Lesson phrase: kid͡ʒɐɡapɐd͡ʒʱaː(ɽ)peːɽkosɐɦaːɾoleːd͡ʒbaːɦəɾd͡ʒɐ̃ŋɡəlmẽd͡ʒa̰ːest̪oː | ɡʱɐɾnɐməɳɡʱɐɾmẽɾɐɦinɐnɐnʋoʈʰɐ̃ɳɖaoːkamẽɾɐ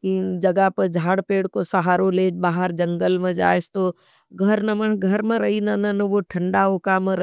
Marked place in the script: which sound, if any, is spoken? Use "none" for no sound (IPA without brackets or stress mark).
ɽ